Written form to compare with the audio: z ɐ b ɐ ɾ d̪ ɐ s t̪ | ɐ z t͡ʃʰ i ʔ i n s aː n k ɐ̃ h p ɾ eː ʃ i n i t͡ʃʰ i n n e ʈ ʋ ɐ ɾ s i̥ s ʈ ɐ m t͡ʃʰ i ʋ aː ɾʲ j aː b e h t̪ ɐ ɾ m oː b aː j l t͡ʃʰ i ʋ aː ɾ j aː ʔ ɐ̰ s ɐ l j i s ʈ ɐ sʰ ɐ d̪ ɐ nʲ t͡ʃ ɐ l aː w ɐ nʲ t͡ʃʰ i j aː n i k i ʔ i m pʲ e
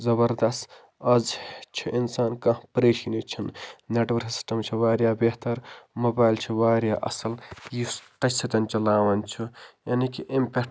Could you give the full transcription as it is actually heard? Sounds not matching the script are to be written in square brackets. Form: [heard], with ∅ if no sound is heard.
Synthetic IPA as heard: z ɐ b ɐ ɾ d̪ ɐ s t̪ | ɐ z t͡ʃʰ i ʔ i n s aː n k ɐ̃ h p ɾ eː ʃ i n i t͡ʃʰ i n n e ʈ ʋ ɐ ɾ s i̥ s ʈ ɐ m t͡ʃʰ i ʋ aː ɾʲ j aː b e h t̪ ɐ ɾ m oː b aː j l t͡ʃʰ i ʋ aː ɾ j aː ʔ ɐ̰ s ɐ l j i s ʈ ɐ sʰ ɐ [t̪] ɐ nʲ t͡ʃ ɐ l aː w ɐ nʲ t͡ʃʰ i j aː n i k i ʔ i m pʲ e